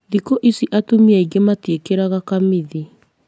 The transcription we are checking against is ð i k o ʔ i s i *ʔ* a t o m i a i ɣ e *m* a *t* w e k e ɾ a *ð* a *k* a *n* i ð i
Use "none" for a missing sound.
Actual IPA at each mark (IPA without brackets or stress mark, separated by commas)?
ʔ, m, t, ɣ, k, m